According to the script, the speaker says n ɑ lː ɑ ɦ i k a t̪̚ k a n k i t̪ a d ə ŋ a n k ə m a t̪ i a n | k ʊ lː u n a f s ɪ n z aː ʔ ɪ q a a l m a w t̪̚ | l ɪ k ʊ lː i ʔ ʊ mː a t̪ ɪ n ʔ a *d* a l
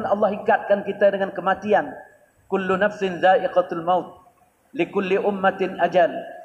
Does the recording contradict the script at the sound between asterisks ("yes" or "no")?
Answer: yes